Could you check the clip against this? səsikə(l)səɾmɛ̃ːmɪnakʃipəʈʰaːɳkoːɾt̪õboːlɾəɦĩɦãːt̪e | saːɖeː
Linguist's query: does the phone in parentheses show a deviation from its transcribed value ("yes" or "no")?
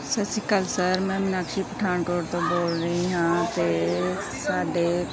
no